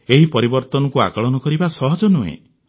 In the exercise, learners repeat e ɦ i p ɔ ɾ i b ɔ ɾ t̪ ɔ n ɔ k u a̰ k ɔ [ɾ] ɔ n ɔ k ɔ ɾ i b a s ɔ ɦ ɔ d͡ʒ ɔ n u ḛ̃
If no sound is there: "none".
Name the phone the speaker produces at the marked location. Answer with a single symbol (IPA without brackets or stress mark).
ɭ